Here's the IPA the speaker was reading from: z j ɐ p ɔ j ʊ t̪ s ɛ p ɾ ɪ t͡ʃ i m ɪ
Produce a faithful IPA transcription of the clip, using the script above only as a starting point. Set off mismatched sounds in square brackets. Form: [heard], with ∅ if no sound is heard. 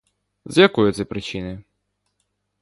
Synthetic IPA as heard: z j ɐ [k] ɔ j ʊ t̪ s ɛ p ɾ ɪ t͡ʃ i [n] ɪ